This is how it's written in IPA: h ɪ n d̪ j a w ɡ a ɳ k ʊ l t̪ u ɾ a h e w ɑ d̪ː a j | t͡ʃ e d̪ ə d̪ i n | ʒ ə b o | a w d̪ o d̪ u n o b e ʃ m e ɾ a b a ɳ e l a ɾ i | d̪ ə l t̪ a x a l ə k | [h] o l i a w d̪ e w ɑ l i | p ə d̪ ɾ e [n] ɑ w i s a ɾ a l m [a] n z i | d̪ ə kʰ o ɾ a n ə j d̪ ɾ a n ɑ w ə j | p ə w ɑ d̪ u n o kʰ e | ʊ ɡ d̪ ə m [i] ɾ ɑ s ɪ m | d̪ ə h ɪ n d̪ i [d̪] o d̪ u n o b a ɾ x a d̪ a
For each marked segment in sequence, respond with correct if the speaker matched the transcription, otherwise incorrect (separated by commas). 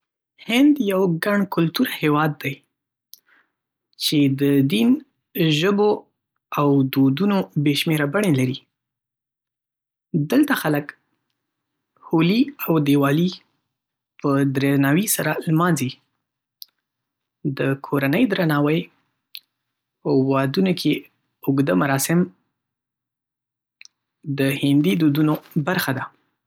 correct, correct, incorrect, incorrect, correct